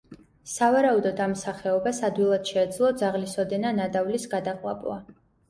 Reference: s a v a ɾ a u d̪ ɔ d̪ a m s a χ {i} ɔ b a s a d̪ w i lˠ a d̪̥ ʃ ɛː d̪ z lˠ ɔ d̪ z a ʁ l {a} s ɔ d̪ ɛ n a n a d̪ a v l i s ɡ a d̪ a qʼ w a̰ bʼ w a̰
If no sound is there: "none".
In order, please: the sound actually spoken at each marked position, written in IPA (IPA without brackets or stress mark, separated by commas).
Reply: ɛ, i